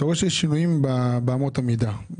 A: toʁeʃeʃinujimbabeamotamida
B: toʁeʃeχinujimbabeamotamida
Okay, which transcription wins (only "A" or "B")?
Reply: A